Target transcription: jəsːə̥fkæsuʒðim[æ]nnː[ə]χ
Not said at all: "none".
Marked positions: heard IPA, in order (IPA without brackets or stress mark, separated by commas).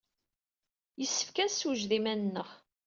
æ, ə